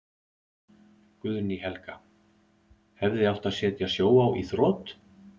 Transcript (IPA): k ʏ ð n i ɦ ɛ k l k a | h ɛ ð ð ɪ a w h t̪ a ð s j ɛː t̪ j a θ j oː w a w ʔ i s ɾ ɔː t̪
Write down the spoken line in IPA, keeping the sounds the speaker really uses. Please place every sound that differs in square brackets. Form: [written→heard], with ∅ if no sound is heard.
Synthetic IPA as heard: k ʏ ð n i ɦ ɛ [k→∅] l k a | h ɛ [ð→v] ð ɪ a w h t̪ a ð s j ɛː t̪ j a [θ→s] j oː w a w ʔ i [s→θ] ɾ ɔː t̪